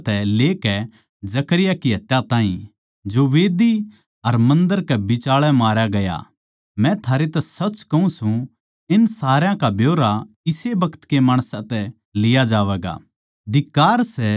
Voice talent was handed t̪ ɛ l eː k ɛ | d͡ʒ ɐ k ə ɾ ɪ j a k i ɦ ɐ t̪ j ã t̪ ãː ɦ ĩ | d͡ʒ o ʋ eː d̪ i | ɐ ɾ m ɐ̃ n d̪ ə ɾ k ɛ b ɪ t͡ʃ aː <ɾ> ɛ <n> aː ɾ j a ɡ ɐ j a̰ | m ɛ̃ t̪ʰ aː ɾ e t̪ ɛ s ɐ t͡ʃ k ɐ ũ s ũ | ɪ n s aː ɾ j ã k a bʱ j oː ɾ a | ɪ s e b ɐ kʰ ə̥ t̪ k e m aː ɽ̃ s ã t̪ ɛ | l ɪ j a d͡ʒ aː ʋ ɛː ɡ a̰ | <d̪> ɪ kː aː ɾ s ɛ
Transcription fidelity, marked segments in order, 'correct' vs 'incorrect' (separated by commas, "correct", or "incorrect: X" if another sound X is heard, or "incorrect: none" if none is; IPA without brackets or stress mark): incorrect: ɭ, incorrect: m, correct